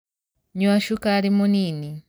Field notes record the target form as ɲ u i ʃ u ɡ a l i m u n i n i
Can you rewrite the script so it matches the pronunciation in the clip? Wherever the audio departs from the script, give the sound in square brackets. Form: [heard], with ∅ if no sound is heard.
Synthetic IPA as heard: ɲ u [a] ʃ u [k] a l i m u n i n i